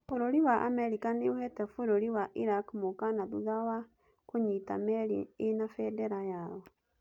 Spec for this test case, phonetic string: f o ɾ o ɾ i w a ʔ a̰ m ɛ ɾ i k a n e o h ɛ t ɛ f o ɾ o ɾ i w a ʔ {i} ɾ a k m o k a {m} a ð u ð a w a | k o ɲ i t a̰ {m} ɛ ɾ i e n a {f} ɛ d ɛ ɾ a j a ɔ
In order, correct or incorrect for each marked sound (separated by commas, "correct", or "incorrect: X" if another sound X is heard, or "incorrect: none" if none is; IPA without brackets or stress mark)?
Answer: correct, incorrect: n, correct, correct